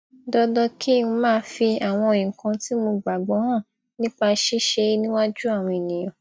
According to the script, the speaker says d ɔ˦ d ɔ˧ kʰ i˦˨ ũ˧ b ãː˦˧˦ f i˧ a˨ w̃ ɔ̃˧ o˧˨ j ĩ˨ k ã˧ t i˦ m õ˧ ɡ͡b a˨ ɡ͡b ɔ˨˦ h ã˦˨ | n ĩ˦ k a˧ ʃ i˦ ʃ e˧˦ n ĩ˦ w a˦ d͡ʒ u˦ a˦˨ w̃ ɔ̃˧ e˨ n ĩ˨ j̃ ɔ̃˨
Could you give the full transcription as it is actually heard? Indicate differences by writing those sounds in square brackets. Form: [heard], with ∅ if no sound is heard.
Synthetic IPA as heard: d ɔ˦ d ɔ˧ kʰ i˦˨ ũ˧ [m] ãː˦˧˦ f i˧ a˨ w̃ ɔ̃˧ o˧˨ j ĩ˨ k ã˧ t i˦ m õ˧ ɡ͡b a˨ ɡ͡b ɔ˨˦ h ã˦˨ | n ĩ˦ [k͡p] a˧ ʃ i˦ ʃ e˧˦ n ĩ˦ w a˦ d͡ʒ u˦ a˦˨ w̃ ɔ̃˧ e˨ n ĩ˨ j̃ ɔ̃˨